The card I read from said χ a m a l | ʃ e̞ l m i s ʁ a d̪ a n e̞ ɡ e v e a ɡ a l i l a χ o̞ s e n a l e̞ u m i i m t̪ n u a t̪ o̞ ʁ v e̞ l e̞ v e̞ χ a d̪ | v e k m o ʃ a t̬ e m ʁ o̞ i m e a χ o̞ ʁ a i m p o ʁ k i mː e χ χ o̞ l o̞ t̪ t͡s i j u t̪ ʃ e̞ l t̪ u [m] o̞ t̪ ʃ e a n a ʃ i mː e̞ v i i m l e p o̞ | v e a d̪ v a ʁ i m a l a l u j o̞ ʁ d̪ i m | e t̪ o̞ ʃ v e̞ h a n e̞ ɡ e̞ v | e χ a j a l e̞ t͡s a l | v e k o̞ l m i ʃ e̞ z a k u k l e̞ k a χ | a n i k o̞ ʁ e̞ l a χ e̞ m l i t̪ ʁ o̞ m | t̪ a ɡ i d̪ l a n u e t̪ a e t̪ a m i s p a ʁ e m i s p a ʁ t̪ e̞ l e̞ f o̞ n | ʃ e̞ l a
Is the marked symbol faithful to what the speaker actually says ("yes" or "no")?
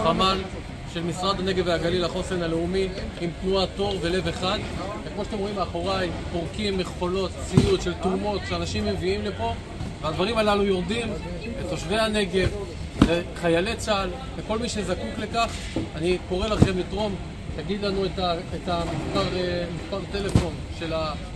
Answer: yes